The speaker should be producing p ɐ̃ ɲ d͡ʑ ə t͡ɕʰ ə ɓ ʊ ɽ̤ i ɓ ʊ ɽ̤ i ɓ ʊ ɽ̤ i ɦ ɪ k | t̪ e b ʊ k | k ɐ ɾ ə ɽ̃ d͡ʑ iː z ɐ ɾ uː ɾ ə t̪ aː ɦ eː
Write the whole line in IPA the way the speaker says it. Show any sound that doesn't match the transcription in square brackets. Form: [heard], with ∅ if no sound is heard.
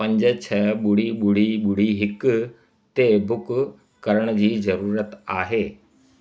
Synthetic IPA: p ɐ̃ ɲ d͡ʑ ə t͡ɕʰ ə ɓ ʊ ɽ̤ i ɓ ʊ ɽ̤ i ɓ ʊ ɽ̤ i ɦ ɪ k | t̪ e b ʊ k | k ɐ ɾ ə ɽ̃ d͡ʑ iː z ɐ ɾ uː ɾ ə t̪ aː ɦ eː